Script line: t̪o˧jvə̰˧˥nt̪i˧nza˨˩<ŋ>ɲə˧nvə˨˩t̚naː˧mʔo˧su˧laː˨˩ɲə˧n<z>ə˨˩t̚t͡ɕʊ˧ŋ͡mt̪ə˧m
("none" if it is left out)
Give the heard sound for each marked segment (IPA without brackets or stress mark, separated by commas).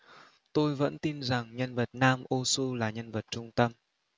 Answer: ŋ, v